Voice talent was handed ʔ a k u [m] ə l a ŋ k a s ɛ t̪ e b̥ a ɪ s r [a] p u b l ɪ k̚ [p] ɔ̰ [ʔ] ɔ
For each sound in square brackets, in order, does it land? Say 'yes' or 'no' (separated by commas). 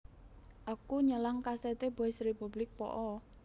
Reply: no, no, yes, yes